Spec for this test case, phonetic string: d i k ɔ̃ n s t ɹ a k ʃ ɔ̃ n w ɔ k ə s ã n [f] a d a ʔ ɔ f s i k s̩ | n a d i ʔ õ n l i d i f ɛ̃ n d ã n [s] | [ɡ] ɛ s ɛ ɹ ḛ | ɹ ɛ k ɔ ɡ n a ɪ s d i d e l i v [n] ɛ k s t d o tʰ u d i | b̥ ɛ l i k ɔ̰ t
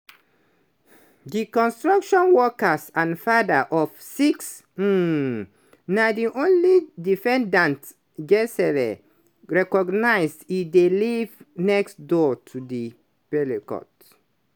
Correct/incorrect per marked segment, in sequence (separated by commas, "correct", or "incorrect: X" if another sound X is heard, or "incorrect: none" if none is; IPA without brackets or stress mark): correct, incorrect: t, correct, correct